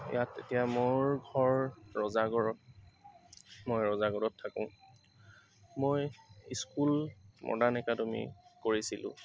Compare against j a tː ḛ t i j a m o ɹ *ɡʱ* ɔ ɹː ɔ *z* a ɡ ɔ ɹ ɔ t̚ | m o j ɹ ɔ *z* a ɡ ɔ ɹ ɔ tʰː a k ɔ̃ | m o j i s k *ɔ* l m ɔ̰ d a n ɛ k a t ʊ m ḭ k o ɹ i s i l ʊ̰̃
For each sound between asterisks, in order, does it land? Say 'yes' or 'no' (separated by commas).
yes, yes, yes, no